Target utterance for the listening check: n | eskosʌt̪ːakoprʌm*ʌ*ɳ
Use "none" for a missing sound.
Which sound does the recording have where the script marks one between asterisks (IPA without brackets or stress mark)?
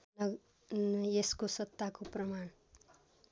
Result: a